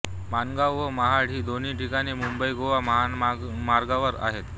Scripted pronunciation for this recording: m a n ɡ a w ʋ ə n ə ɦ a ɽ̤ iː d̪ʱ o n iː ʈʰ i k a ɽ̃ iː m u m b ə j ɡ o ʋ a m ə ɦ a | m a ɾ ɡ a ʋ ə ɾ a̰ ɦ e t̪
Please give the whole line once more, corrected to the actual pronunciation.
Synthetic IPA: m a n ɡ a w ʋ ə m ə ɦ a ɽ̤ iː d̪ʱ o n iː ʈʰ i k a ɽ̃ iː m u m b ə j ɡ o ʋ a m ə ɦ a | m a ɾ ɡ a ʋ ə ɾ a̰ ɦ e t̪

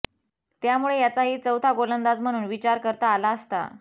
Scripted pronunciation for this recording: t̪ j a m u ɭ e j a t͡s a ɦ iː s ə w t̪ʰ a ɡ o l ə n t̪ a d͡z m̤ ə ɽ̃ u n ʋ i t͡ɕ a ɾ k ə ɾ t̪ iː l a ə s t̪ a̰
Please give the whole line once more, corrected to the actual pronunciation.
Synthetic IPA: t̪ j a m u ɭ e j a t͡s a ɦ iː t͡s ə w t̪ʰ a ɡ o l ə n d̪ a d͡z m̤ ə ɽ̃ uː n ʋ i t͡ɕ a ɾ k ə ɾ t̪ aː l a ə s t̪ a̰

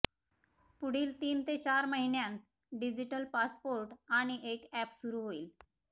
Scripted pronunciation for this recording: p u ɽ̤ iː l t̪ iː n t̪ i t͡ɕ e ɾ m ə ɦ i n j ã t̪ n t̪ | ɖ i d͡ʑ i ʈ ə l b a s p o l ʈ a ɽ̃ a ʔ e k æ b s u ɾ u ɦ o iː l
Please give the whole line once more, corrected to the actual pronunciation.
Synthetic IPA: p u ɽ̤ iː l t̪ iː n t̪ e t͡ɕ a ɾ m ə ɦ i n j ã n t̪ | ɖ i d͡ʑ i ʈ ə l p a s p o ɾ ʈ a ɽ̃ i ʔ e k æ p s u ɾ u ɦ o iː l

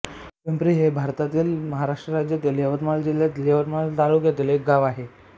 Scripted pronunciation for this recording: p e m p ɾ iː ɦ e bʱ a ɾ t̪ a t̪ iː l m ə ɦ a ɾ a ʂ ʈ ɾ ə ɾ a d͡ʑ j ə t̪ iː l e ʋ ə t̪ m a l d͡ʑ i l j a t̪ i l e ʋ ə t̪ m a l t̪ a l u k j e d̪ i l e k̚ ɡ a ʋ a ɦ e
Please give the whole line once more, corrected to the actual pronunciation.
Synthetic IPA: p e m p ɾ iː ɦ e bʱ a ɾ t̪ a t̪ iː l m ə ɦ a ɾ a ʂ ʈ ɾ ə ɾ a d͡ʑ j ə t̪ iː l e ʋ ə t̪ m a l d͡ʑ i l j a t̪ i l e ʋ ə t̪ m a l t̪ a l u k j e t̪ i l e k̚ ɡ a ʋ a ɦ e

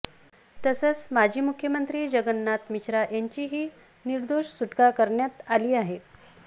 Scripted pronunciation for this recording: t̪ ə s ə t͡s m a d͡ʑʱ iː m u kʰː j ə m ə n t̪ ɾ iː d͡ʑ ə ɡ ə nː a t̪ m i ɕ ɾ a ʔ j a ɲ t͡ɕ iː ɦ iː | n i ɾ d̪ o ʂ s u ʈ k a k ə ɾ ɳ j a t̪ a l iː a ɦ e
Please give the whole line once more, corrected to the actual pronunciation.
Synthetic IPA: t̪ ə s ə t͡s m a d͡ʑʱ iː m u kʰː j ə m ə n t̪ ɾ iː d͡ʑ ə ɡ ə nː a t̪ m i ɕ ɾ a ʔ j a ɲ t͡ɕ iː ɦ iː | n i ɾ d̪ o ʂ s u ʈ k a k ə ɾ ɳ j a t̪ a l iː a ɦ e

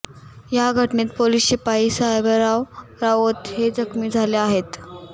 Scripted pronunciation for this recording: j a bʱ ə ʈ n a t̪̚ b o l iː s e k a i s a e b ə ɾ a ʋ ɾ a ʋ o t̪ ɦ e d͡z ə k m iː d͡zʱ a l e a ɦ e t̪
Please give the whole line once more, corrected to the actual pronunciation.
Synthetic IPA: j a ɡʱ ə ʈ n e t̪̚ p o l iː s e p a i s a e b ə ɾ a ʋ ɾ a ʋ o t̪ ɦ e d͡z ə k m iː d͡zʱ a l e a ɦ e t̪

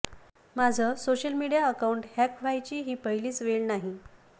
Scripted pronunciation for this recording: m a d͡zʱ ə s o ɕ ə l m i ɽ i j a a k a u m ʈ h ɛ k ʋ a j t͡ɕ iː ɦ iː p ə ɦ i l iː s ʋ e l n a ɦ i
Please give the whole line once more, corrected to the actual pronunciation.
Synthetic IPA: m a d͡zʱ ə s o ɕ ə l m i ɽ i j a ə k a u ɳ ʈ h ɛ k ʋ a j t͡ɕ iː ɦ iː p ə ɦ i l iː t͡s ʋ e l n a ɦ i

